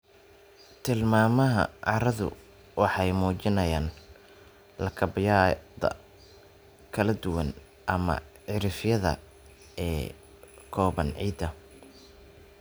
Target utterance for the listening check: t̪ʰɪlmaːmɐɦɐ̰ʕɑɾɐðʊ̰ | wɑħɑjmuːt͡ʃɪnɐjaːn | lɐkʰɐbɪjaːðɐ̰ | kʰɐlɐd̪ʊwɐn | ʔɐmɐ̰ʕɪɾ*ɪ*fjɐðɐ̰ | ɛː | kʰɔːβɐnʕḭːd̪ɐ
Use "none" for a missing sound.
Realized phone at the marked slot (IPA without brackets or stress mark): ɪ